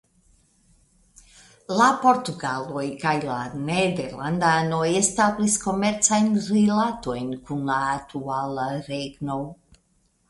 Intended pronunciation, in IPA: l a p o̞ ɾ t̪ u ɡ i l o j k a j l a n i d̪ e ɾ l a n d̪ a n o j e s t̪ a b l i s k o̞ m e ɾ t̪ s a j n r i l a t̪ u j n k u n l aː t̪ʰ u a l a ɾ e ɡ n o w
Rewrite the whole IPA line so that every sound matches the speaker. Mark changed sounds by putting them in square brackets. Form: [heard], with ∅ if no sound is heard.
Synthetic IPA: l a p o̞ ɾ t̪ u ɡ [a] l o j k a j l a n [e] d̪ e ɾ l a n d̪ a n o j e s t̪ a b l i s k o̞ m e ɾ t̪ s a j n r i l a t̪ [o] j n k u n l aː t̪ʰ u a l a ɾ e ɡ n o w